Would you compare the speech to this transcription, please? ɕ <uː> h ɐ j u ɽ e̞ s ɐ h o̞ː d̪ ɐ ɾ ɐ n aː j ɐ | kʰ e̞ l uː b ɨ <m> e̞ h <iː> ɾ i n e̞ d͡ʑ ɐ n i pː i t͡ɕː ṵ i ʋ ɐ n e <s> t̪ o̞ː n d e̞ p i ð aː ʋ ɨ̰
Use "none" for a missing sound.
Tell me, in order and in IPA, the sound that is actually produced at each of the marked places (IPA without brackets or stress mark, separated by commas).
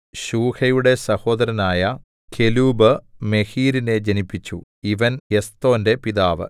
uː, m, iː, s